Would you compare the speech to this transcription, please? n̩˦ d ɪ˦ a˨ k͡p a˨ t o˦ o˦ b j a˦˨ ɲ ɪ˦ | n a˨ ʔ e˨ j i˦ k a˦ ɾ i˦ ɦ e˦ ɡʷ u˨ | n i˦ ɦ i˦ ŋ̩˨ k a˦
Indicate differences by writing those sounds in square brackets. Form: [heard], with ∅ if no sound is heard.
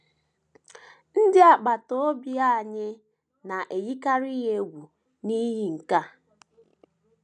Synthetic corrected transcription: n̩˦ d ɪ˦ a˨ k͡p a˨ t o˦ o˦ b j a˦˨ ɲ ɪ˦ | n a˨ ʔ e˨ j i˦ k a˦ ɾ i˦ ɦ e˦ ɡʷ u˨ | n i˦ ɦ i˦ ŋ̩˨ k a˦